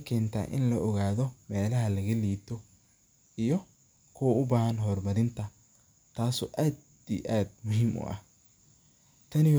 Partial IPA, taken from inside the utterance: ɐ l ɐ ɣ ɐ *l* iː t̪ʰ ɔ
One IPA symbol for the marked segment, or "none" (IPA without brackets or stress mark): l